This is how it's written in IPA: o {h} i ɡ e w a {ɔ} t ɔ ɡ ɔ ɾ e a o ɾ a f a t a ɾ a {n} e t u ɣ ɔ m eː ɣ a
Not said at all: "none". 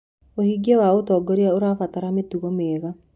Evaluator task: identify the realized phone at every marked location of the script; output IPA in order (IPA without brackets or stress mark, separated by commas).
h, o, m